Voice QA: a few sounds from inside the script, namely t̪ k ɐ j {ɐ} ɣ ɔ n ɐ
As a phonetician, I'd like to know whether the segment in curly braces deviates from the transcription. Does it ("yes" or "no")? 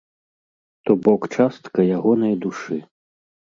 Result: yes